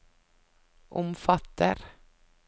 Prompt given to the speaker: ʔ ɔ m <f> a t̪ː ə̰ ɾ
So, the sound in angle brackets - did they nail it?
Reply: yes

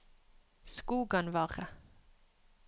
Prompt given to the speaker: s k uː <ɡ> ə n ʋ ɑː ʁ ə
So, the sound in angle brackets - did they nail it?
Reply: yes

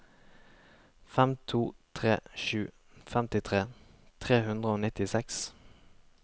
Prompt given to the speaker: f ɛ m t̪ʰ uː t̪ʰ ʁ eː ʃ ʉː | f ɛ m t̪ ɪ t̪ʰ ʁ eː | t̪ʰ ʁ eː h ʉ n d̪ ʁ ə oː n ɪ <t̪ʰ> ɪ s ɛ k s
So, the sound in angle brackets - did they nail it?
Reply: no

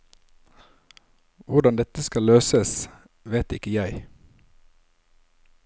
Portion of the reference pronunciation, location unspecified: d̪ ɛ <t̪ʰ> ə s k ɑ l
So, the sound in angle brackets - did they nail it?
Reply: no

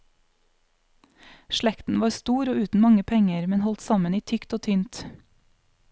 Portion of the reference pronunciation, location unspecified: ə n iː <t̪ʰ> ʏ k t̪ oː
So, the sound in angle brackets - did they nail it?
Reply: yes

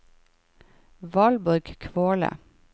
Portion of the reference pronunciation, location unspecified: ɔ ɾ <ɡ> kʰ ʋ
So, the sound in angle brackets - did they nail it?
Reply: yes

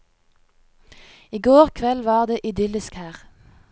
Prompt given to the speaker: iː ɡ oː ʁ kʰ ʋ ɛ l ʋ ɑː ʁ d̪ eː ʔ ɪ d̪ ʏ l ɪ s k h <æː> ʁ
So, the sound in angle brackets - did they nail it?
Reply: yes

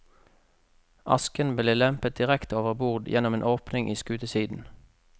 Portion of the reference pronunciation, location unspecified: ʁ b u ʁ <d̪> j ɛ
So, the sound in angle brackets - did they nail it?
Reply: yes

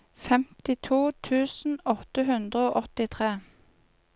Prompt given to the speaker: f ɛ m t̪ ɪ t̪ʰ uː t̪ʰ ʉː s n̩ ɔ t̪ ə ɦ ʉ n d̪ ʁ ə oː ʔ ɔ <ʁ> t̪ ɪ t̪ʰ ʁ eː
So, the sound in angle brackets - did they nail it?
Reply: no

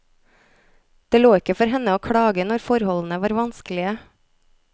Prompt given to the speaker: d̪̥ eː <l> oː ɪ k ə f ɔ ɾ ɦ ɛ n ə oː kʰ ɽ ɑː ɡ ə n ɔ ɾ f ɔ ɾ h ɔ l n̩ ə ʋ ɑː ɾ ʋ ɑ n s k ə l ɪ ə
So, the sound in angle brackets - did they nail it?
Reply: yes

